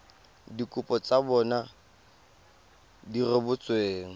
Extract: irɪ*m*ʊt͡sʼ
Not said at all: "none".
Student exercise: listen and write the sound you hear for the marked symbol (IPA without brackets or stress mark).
b